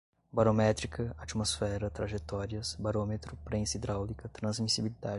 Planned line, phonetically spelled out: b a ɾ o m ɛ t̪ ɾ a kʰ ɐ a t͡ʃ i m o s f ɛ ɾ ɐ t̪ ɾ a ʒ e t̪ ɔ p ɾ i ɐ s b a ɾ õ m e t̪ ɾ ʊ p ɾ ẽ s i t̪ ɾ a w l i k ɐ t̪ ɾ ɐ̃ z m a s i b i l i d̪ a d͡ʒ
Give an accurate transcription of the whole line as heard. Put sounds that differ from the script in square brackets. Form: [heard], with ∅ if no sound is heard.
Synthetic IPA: b a ɾ o m ɛ t̪ ɾ [i] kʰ ɐ a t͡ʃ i m o s f ɛ ɾ ɐ t̪ ɾ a ʒ e t̪ ɔ [∅] ɾ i ɐ s b a ɾ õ m e t̪ ɾ ʊ p ɾ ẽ s i [d̪] ɾ a w l i k ɐ t̪ ɾ ɐ̃ z m [i] s i b i l i d̪ a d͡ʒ